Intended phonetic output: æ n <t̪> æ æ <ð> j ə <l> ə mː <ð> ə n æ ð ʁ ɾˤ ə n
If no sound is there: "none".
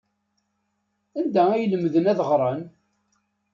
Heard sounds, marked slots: d̪, none, l, ð

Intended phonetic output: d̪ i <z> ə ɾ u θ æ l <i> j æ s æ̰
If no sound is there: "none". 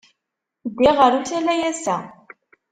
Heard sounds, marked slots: ʁ, æ

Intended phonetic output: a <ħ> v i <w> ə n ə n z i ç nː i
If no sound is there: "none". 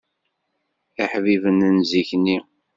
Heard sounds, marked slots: ħ, v

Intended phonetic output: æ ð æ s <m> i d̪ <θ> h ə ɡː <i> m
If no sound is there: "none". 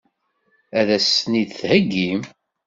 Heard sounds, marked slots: n, θ, i

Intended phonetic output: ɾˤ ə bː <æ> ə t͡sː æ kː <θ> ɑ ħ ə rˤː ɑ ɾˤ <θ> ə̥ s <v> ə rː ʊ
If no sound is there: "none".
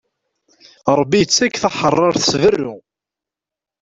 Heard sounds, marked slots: i, θ, θ, v

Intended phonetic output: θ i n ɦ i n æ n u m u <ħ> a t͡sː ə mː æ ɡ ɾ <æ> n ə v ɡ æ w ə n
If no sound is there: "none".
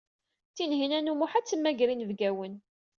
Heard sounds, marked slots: ħ, i

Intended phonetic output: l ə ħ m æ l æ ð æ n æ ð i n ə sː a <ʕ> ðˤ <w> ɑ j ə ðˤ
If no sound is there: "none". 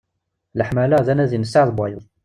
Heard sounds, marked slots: ʕ, b

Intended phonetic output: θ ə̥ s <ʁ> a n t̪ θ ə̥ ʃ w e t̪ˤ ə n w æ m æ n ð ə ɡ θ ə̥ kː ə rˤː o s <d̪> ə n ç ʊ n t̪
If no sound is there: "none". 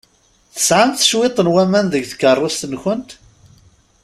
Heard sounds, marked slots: ʕ, t̪

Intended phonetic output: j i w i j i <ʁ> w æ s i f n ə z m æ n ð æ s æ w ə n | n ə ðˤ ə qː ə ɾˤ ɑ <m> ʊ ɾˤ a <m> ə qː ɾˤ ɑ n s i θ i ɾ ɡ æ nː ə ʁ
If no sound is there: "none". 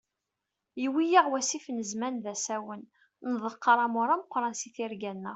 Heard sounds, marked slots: ʁ, m, m

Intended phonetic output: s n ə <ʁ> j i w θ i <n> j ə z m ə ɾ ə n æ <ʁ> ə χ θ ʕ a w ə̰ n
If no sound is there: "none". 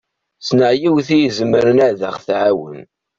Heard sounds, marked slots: ʕ, none, ð

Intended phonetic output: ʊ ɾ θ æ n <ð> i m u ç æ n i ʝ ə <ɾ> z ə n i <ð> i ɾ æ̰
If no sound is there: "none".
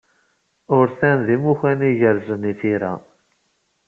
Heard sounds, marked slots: ð, ɾ, θ

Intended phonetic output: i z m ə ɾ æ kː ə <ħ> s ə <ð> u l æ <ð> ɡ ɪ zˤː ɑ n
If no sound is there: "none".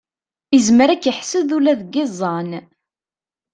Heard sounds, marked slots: ħ, ð, ð

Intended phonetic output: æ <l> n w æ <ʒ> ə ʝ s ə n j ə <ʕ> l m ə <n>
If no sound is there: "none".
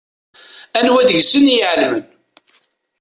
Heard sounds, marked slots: none, ð, ʕ, n

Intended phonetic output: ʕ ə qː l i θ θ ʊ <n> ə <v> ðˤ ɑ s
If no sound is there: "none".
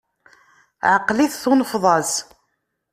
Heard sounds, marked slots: n, f

